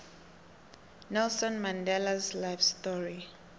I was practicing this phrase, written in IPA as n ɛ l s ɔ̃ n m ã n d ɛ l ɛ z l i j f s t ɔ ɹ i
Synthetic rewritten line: n ɛ l s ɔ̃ n m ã n d ɛ l a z l a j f s t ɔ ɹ i